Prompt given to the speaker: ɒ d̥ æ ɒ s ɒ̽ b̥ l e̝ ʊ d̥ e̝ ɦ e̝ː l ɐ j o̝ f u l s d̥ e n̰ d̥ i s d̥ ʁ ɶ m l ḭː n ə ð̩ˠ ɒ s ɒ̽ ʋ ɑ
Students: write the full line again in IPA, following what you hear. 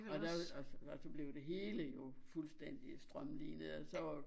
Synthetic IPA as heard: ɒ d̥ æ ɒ s ɒ̽ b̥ l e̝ ʊ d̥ e̝ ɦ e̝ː l ə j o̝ f u l s d̥ e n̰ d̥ i s d̥ ʁ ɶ m l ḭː n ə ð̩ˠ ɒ s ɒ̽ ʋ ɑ